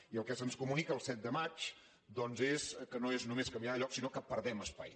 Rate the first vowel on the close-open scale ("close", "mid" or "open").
close